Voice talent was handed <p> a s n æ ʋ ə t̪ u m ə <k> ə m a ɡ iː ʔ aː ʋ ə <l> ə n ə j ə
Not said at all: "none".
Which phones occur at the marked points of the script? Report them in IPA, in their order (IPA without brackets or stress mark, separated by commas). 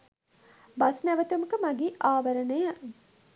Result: b, k, ɾ